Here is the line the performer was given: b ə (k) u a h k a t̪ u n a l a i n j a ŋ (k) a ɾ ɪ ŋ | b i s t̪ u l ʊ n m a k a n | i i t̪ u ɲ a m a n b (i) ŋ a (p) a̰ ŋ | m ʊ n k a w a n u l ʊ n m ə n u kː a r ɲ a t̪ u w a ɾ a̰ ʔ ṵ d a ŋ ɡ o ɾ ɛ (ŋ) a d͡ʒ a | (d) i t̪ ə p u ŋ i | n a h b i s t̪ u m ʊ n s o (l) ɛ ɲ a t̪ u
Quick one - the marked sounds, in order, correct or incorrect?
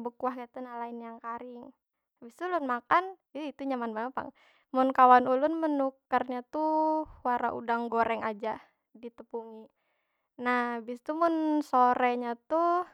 correct, correct, incorrect: a, correct, correct, correct, incorrect: ɾ

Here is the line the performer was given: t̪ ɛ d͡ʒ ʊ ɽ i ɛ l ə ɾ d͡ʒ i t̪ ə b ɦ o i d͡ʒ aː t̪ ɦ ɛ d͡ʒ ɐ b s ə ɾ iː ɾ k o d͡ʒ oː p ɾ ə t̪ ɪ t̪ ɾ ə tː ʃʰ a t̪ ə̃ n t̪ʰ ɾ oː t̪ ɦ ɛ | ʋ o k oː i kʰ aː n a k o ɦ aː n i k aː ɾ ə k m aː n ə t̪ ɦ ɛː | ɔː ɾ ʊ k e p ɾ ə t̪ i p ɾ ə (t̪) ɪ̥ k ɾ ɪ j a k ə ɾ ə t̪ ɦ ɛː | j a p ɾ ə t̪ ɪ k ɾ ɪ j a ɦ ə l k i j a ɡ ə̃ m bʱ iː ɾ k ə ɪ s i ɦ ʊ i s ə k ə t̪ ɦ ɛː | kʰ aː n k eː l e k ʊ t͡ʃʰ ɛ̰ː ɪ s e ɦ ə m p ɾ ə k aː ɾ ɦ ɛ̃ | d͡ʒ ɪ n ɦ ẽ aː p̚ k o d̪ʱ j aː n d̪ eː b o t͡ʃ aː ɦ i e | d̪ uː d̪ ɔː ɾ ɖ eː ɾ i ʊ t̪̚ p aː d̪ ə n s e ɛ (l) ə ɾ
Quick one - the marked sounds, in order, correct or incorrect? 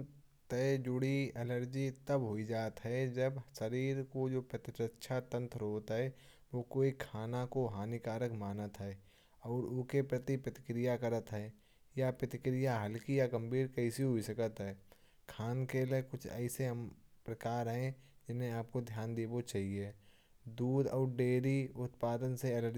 correct, correct

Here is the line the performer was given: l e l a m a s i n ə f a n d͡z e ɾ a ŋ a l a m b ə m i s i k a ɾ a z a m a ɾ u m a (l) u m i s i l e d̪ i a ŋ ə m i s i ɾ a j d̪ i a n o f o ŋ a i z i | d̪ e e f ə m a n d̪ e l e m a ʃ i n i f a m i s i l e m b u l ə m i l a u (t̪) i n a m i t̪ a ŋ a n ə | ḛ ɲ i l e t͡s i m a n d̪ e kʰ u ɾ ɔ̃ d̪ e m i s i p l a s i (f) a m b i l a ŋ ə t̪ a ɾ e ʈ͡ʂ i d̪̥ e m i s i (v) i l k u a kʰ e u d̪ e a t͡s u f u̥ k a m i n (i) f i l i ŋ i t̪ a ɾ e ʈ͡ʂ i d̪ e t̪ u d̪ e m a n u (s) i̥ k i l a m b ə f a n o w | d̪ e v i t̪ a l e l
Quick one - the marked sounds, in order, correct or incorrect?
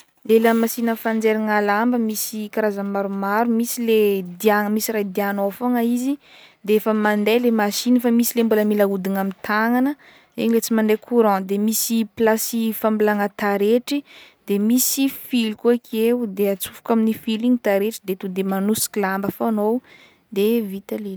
incorrect: ɾ, incorrect: d̪, correct, incorrect: f, correct, correct

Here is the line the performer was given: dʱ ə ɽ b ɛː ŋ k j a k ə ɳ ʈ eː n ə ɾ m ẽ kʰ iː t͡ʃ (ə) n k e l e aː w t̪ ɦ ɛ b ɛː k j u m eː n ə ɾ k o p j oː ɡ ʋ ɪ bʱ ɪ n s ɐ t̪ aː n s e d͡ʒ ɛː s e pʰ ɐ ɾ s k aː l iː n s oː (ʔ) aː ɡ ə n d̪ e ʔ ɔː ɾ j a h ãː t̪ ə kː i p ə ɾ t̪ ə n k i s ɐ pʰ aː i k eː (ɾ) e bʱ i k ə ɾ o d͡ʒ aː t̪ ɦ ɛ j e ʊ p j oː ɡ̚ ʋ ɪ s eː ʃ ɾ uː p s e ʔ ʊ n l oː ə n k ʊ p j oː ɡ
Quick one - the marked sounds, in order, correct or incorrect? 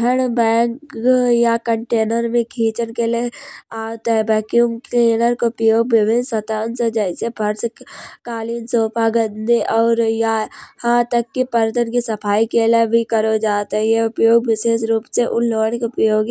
correct, incorrect: p, incorrect: l

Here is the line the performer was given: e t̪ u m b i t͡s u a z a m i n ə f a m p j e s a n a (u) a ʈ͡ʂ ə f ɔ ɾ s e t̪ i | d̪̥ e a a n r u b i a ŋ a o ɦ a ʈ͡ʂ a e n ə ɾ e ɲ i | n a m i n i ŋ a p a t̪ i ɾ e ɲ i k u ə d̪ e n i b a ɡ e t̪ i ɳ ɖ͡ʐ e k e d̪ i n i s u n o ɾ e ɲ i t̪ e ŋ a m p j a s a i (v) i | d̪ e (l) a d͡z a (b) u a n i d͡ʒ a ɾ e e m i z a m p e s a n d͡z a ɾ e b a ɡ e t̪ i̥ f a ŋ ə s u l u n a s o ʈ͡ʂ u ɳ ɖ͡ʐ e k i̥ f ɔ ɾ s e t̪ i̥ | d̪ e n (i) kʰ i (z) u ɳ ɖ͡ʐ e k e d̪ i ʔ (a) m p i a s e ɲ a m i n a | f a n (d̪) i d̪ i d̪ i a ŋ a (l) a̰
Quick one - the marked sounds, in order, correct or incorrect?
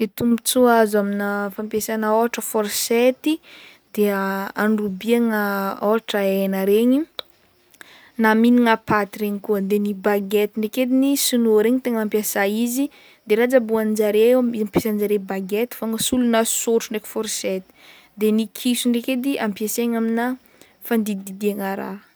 incorrect: o, incorrect: z, incorrect: ɾ, correct, correct, incorrect: s, correct, correct, incorrect: ɾ

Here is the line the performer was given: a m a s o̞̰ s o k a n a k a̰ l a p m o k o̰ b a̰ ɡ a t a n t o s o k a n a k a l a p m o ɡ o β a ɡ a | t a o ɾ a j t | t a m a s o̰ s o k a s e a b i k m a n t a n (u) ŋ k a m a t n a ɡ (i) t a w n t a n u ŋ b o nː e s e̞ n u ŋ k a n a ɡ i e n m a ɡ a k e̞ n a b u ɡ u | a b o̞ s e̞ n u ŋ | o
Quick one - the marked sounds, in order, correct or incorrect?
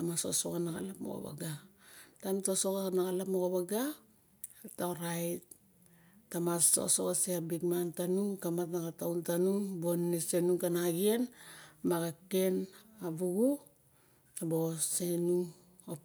correct, incorrect: a

